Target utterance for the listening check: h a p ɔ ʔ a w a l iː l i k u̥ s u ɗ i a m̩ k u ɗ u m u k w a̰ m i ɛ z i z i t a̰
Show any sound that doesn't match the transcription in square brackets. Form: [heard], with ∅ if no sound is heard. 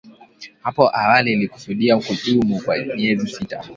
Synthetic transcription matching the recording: h a p ɔ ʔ a w a l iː l i k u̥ s u ɗ i a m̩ k u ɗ u m u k w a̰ m i ɛ z i [s] i t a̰